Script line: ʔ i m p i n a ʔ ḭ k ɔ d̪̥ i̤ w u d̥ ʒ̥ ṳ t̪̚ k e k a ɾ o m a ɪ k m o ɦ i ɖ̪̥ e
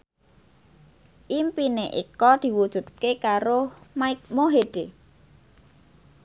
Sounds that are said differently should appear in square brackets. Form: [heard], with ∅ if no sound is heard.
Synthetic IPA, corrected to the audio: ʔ i m p i n [e] ʔ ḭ k ɔ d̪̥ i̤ w u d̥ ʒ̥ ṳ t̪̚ k e k a ɾ o m a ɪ k m o ɦ [e] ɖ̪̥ e